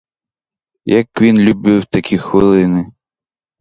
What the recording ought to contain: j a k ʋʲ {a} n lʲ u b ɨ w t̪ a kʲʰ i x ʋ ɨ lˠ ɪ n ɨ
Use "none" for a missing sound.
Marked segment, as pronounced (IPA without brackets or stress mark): i